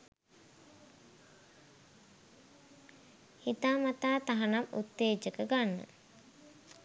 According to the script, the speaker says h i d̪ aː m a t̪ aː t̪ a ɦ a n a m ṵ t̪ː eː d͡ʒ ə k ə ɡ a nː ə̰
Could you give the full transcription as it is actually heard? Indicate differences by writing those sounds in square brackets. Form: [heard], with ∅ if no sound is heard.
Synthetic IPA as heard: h i [t̪] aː m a t̪ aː t̪ a ɦ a n a m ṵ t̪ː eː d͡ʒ ə k ə ɡ a nː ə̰